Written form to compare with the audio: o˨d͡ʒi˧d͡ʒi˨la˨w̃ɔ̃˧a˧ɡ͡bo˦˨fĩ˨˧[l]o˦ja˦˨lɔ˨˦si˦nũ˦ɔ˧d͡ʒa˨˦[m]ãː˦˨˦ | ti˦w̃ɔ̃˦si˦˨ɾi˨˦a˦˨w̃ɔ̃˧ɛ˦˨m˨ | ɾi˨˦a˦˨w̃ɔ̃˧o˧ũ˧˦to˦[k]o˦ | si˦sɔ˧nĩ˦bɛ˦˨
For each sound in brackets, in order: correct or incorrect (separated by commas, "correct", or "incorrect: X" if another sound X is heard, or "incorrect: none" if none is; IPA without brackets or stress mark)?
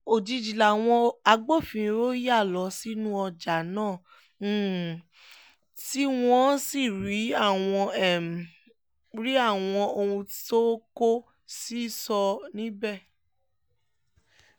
incorrect: ɾ, incorrect: n, correct